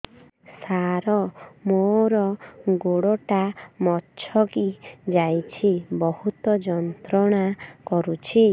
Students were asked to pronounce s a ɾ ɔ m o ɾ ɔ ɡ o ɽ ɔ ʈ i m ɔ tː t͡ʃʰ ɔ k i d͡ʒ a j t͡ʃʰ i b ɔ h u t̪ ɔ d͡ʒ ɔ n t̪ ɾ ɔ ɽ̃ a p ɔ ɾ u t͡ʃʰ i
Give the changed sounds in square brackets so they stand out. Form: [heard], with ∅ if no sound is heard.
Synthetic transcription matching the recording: s a ɾ ɔ m o ɾ ɔ ɡ o ɽ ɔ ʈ [a] m ɔ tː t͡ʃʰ ɔ k i d͡ʒ a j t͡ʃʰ i b ɔ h u t̪ ɔ d͡ʒ ɔ n t̪ ɾ ɔ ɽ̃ a [k] ɔ ɾ u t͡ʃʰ i